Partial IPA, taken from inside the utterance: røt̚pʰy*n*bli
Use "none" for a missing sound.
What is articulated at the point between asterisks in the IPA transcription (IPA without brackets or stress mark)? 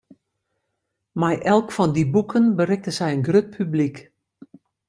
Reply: none